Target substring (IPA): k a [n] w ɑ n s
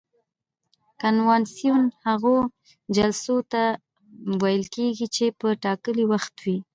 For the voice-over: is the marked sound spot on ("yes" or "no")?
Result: yes